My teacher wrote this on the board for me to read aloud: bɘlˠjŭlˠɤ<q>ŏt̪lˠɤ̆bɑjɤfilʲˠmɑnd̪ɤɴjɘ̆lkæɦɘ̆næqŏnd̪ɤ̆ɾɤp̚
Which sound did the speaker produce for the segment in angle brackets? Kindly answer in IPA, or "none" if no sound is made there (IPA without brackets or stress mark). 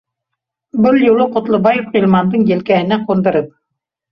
q